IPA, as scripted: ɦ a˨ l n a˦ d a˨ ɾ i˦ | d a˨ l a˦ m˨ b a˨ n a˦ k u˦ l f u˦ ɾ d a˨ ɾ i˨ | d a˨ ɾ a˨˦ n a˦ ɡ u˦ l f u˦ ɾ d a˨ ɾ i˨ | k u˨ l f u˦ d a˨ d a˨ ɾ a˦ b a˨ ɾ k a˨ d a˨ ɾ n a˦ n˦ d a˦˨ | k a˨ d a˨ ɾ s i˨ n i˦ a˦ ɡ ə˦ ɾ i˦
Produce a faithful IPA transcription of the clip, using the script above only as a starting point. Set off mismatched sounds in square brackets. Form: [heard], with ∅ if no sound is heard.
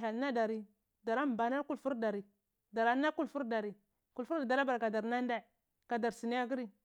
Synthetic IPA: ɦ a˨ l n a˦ d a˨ ɾ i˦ | d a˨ [ɾ] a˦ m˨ b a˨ n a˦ k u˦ l f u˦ ɾ d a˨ ɾ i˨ | d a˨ ɾ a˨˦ n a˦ [k] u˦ l f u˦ ɾ d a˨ ɾ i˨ | k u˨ l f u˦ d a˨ d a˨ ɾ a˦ b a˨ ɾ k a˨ d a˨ ɾ n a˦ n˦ d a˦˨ | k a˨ d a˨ ɾ s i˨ n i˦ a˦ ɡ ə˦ ɾ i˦